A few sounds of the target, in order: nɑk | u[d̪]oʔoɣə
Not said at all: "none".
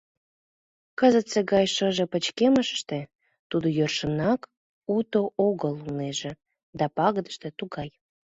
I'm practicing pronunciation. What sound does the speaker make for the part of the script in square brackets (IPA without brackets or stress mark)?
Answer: t̪